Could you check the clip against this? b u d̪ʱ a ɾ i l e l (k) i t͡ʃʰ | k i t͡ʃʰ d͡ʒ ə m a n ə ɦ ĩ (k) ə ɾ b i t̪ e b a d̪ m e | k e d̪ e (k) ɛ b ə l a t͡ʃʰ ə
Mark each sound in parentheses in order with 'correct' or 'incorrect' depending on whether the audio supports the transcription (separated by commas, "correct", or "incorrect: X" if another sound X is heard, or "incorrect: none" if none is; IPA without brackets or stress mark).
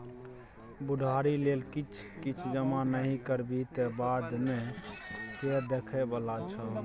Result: correct, correct, incorrect: kʰ